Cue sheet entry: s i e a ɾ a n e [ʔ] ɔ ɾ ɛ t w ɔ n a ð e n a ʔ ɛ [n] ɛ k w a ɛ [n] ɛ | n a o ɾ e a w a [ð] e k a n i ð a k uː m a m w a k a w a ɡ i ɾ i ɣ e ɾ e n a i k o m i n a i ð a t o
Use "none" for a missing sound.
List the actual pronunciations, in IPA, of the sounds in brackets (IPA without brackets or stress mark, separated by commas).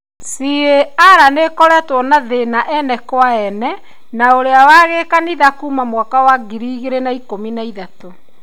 k, n, n, ɣ